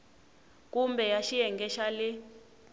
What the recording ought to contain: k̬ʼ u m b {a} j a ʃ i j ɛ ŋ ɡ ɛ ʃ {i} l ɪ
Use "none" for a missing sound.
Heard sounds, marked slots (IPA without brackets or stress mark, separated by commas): ɛ, a